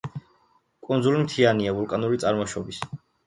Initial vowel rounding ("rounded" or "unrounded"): rounded